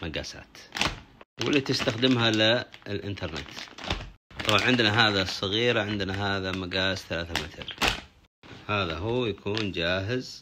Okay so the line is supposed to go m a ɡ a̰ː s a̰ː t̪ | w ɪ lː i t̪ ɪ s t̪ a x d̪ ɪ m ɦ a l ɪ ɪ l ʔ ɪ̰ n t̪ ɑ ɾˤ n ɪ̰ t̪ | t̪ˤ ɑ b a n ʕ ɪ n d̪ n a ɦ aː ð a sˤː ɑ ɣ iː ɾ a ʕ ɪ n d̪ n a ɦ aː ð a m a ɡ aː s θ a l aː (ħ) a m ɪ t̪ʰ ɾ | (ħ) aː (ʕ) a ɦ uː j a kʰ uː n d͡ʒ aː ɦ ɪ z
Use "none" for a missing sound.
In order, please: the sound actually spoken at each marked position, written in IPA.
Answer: θ, h, ð

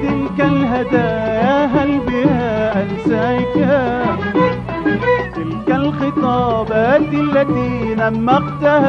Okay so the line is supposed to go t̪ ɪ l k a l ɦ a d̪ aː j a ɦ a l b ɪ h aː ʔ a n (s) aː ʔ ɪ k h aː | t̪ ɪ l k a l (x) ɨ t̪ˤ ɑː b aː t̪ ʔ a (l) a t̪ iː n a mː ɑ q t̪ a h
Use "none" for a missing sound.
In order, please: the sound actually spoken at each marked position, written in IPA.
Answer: s, x, lː

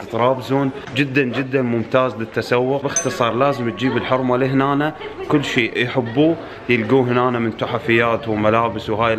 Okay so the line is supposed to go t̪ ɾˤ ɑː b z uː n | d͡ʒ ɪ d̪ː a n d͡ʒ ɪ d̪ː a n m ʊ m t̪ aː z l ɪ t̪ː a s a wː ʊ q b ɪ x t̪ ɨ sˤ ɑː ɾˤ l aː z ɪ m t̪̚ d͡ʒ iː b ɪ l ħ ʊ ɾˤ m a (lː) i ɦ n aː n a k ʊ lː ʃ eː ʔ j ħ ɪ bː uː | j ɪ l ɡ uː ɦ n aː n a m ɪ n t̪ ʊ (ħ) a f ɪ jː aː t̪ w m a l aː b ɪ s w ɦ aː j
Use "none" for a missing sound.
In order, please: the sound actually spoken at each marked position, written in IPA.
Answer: l, ħ

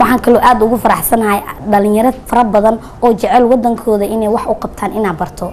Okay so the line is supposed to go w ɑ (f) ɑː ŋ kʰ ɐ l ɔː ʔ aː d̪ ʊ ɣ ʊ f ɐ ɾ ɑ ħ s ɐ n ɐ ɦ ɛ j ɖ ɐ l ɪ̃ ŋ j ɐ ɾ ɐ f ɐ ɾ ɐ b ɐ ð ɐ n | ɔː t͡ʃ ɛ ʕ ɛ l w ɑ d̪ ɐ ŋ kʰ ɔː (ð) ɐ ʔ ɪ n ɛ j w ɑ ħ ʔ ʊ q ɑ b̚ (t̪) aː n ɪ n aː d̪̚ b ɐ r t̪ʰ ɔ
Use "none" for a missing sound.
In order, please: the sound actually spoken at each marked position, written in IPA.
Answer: ħ, ð, t̪ʰ

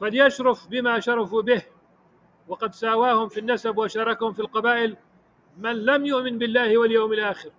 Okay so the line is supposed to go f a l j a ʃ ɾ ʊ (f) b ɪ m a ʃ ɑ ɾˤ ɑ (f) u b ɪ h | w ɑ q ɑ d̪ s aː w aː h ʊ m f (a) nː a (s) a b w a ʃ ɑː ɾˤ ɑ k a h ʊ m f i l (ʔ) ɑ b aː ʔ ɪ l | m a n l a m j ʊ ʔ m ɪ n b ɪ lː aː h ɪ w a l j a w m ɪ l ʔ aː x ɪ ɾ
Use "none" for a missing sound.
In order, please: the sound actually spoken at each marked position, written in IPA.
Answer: f, f, i, s, q

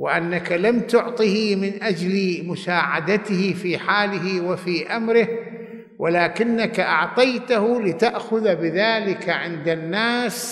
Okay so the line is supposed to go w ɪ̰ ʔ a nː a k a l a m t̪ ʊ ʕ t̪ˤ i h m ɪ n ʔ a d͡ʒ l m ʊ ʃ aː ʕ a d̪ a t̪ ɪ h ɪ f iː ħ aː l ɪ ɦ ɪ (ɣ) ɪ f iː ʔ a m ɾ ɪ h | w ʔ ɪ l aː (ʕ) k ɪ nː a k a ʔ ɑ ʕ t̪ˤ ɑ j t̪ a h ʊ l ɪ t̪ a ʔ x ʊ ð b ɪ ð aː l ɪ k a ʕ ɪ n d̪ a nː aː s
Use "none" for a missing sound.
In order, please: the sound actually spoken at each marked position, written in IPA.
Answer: w, none

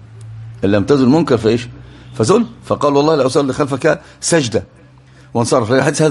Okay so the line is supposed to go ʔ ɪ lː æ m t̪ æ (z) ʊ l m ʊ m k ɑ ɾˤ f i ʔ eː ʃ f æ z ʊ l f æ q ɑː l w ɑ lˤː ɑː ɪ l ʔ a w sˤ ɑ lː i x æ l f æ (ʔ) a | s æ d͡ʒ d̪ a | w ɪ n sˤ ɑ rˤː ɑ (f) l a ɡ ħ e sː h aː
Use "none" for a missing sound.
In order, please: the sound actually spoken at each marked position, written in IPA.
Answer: z, k, f

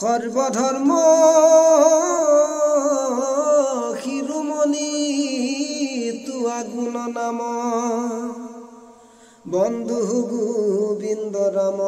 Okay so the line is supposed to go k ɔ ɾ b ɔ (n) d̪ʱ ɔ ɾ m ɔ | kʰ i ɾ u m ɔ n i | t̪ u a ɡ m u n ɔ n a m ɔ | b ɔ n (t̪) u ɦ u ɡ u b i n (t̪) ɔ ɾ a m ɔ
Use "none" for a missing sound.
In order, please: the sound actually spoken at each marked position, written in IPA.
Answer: none, d̪, d̪

